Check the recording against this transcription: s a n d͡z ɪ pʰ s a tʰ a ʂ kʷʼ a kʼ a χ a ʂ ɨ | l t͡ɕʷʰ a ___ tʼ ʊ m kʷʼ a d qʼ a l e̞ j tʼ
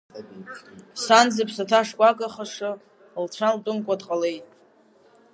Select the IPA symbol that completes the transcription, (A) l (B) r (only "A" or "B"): A